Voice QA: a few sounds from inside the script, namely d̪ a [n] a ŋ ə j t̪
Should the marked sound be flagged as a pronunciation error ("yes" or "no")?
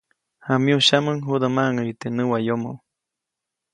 yes